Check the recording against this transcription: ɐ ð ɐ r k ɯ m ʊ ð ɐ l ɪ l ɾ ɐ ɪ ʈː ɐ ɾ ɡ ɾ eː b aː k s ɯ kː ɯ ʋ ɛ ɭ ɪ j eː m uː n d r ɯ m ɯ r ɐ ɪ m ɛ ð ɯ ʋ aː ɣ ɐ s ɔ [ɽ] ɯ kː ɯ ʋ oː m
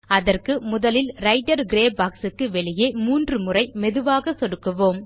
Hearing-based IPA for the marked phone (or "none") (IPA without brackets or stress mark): ɽ